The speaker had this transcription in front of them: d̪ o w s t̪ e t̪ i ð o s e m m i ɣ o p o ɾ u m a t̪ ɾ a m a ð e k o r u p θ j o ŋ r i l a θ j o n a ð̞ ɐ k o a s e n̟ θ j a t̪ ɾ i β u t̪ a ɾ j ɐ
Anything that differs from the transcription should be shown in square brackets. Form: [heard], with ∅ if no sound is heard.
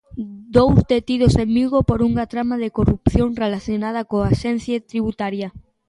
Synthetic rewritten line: d̪ o w s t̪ e t̪ i ð o s e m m i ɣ o p o ɾ u [ŋ] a t̪ ɾ a m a ð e k o r u p θ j o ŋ r [e] l a θ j o n a ð̞ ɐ k o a [ʃ] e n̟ θ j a t̪ ɾ i β u t̪ a ɾ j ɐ